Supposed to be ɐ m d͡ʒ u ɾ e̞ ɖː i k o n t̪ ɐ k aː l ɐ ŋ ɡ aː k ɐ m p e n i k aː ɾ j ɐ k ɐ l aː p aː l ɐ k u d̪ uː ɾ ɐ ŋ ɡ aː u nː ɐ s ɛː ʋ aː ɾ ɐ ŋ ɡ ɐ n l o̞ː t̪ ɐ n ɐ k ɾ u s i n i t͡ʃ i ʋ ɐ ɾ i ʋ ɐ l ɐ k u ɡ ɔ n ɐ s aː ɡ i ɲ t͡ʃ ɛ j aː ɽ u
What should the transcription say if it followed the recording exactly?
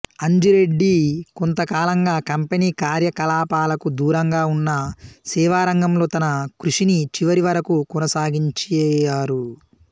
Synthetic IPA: ɐ ɲ d͡ʒ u ɾ e̞ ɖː i k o n t̪ ɐ k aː l ɐ ŋ ɡ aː k ɐ m p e n iː k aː ɾ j ɐ k ɐ l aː p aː l ɐ k u d̪ uː ɾ ɐ ŋ ɡ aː u nː ɐ s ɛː ʋ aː ɾ ɐ ŋ ɡ ɐ m l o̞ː t̪ ɐ n ɐ k ɾ u ʂ i n i t͡ʃ i ʋ ɐ ɾ i ʋ ɐ ɾ ɐ k u k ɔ n ɐ s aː ɡ i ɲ t͡ʃ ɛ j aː ɾ u